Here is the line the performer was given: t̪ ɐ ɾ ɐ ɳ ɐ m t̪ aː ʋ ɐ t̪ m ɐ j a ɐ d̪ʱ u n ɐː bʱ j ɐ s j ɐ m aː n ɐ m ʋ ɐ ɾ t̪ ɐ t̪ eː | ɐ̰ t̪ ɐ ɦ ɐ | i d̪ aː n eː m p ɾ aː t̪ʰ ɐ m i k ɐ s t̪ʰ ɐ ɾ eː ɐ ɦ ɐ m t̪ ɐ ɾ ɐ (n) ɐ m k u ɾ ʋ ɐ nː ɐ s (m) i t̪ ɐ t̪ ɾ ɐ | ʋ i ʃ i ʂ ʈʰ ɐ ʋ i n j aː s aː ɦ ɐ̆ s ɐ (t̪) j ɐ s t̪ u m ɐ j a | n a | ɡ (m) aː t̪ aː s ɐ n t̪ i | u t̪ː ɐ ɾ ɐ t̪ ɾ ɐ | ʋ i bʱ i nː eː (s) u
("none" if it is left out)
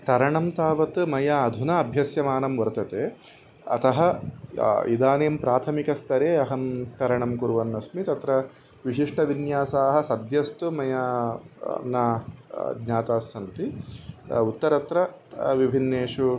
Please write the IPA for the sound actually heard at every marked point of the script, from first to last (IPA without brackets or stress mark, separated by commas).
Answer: ɳ, m, d̪, ɲ, ʂ